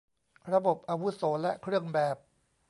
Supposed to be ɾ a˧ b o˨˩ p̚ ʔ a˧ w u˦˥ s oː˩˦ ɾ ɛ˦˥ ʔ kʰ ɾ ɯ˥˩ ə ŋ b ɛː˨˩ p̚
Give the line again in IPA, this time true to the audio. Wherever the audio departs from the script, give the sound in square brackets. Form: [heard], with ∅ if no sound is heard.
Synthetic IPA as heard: ɾ a˧ b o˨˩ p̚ ʔ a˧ w u˦˥ s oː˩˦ [l] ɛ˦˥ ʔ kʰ ɾ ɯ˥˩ ə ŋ b ɛː˨˩ p̚